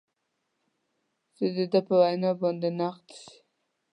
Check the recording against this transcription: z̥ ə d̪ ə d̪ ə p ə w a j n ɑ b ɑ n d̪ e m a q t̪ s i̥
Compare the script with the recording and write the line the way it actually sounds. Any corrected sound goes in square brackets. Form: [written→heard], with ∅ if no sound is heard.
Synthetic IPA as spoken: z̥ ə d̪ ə d̪ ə p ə w a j n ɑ b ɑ n d̪ e [m→n] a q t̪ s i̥